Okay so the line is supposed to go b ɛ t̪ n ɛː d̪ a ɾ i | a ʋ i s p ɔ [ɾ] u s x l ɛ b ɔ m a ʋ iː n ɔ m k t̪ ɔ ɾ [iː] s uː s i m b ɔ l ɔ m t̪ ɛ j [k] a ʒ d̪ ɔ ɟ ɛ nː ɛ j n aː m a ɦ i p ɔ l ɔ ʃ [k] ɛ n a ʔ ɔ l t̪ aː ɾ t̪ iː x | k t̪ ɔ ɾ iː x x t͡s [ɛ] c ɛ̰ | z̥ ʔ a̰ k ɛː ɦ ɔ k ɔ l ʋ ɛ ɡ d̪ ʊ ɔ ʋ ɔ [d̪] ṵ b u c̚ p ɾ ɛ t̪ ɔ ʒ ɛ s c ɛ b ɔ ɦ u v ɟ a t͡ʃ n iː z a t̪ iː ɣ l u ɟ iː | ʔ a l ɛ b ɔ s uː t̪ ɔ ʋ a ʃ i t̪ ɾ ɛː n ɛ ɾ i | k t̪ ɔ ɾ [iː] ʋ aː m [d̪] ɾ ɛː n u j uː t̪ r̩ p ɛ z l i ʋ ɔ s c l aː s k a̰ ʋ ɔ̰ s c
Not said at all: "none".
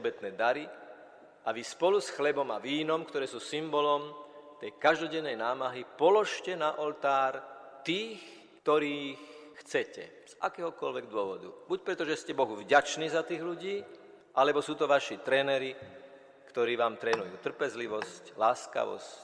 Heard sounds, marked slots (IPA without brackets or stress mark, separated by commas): l, ɛː, k, c, ɛ, d̪, iː, t̪